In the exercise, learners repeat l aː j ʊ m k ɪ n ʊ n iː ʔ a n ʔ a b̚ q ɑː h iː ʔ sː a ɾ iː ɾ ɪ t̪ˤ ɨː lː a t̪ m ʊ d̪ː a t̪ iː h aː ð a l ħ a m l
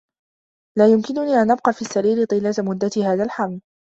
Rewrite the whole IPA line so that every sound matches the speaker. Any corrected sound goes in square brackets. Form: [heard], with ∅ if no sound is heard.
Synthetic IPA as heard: l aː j ʊ m k ɪ n ʊ n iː ʔ a n ʔ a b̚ q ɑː [f] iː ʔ sː a ɾ iː ɾ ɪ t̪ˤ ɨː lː a t̪ m ʊ d̪ː a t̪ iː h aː ð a l ħ a m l